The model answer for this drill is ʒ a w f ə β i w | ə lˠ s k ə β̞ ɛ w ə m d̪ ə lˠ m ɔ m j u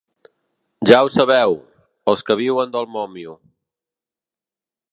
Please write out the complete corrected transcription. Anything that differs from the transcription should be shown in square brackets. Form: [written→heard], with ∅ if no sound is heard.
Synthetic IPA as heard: ʒ a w [f→s] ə β [i→ɛ] w | ə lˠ s k ə β̞ [ɛ→i] w ə [m→n] d̪ ə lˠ m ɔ m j u